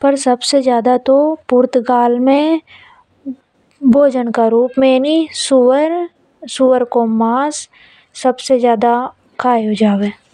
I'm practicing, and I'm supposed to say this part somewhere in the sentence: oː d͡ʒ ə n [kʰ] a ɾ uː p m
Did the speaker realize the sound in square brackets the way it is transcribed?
no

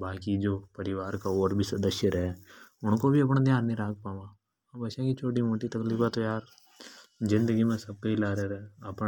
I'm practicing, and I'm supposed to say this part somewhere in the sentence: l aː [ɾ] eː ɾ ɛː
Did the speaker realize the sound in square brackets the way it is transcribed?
yes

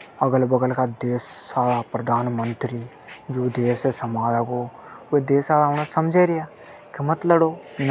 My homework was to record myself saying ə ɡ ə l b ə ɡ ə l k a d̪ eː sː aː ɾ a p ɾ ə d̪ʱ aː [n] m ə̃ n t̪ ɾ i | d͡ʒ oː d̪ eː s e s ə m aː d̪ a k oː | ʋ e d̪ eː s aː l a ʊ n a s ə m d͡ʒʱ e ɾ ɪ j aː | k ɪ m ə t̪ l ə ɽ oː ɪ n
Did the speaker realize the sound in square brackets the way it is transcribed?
yes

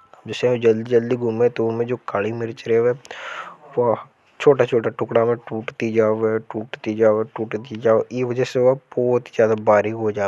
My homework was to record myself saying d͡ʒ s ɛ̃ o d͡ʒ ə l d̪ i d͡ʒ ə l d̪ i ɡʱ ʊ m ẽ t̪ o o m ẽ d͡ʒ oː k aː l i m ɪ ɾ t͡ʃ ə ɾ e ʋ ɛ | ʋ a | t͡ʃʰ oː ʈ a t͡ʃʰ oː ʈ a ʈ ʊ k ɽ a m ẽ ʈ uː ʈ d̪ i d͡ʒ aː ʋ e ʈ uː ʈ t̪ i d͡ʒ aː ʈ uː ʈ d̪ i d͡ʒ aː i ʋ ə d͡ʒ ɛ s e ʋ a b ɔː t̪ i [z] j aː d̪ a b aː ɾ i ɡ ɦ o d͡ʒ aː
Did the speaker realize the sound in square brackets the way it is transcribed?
yes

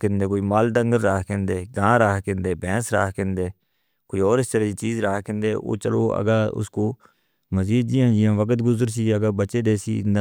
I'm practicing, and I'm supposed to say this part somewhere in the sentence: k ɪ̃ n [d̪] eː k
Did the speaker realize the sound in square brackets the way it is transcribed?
yes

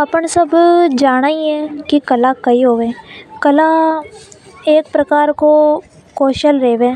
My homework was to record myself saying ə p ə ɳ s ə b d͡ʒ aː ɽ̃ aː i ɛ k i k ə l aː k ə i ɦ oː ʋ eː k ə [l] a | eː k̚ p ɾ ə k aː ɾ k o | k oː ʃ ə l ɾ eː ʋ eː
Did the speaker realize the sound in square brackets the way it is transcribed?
yes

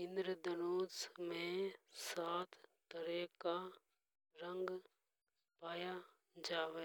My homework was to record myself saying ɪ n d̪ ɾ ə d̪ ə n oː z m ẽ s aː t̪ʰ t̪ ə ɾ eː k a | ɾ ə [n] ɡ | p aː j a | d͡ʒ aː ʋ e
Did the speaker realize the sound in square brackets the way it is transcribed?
no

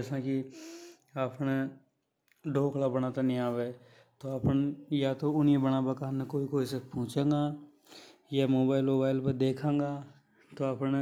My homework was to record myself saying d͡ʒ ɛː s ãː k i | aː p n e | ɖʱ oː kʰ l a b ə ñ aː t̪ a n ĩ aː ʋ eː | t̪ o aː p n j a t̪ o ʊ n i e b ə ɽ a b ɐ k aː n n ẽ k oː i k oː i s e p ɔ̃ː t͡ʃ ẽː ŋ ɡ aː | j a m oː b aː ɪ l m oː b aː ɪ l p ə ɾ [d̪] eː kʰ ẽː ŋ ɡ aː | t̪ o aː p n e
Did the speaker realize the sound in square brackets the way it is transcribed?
yes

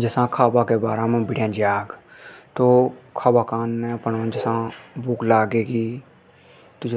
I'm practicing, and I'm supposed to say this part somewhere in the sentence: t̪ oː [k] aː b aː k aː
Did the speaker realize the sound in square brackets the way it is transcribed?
no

